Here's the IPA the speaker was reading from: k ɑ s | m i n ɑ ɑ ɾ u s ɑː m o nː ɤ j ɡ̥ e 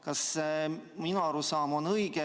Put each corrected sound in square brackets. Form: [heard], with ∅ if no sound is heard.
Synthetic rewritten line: k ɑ s | m i n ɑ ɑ ɾ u s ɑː m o [n] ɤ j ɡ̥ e

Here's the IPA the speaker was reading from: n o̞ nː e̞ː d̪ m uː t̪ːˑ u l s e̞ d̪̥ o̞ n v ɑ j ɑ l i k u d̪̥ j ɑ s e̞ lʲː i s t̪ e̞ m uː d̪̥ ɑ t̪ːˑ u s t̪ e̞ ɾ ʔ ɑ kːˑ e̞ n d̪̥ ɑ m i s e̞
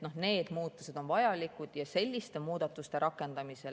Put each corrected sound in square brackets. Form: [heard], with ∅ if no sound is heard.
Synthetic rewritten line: n o̞ [n] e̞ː d̪ m uː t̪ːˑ u [∅] s e̞ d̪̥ o̞ n v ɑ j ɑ l i k u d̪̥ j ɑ s e̞ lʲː i s t̪ e̞ m uː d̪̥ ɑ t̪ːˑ u s t̪ e̞ ɾ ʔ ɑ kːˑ e̞ n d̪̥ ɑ m i s e̞

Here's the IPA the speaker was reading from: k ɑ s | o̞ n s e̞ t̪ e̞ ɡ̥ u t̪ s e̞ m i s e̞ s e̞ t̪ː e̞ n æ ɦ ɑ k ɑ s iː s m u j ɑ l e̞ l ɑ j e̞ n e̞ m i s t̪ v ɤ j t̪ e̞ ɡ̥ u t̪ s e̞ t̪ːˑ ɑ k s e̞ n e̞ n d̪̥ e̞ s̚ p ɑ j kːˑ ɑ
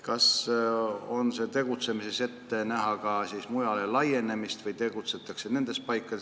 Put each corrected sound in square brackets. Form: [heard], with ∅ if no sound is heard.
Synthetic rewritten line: k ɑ s | o̞ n s e̞ t̪ e̞ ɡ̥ u t̪ s e̞ m i s e̞ s e̞ t̪ː e̞ n æ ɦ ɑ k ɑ s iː s m u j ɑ l e̞ l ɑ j e̞ n e̞ m i s t̪ v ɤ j t̪ e̞ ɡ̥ u t̪ s e̞ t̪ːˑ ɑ k s e̞ n e̞ n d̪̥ e̞ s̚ p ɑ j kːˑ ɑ

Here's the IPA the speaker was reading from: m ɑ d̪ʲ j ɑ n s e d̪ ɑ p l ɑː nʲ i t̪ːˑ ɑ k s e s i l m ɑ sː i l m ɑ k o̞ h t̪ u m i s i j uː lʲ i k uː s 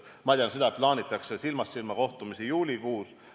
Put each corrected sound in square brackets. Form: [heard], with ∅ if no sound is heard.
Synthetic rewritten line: m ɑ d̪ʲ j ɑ n s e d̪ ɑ p l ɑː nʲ i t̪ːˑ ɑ k s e s i l m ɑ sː i l m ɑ k o̞ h t̪ u m i s i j uː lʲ i k uː s

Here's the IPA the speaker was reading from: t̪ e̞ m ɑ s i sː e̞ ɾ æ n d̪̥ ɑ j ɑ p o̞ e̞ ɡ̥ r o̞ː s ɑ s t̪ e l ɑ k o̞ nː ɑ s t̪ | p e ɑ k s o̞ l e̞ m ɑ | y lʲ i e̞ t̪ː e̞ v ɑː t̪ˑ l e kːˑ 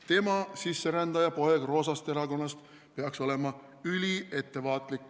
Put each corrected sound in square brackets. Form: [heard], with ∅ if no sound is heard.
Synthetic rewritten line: t̪ e̞ m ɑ s i sː e̞ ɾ æ n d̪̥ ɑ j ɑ p o̞ e̞ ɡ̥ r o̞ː s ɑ s t̪ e [ɾ] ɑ k o̞ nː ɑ s t̪ | p e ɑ k s o̞ l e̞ m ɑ | y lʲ i e̞ t̪ː e̞ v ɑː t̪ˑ l [i] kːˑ

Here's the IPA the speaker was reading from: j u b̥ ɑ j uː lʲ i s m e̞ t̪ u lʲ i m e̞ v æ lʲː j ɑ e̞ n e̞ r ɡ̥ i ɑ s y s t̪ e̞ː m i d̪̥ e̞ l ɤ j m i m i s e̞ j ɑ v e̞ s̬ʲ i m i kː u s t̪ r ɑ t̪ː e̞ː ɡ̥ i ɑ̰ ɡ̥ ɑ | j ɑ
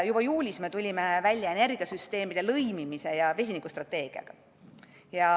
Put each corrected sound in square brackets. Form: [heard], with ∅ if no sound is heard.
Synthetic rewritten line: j u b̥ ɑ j uː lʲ i s m e̞ t̪ u lʲ i m e̞ v æ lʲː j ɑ e̞ n e̞ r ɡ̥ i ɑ s y s t̪ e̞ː m i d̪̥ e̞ l ɤ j m i m i s e̞ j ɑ v e̞ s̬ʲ i [n] i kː u s t̪ r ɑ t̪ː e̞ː ɡ̥ i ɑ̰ ɡ̥ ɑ | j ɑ

